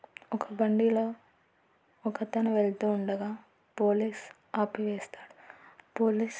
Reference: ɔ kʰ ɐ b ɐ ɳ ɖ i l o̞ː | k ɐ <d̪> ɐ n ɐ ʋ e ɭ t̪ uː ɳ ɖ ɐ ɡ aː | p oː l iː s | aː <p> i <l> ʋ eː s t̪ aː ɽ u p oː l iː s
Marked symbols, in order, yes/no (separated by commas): no, yes, no